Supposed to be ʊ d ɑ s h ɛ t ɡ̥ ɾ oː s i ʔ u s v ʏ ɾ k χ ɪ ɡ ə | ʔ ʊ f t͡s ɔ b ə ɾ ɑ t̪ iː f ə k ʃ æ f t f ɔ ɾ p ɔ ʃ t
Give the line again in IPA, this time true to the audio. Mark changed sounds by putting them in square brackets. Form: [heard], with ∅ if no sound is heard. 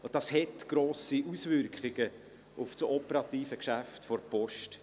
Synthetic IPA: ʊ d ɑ s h ɛ t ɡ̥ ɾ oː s i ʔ u s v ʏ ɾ k χ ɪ ɡ ə | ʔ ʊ f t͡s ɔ [p] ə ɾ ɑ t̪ iː f ə k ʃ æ f t f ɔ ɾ p ɔ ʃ t